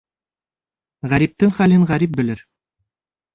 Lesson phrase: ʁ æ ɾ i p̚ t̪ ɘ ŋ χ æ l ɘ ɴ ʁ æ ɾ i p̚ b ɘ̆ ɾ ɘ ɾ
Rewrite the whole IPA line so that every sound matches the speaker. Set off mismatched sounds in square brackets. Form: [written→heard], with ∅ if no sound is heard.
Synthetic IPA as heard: ʁ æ ɾ i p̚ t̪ ɘ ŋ χ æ l ɘ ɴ ʁ æ ɾ i p̚ b ɘ̆ [ɾ→l] ɘ ɾ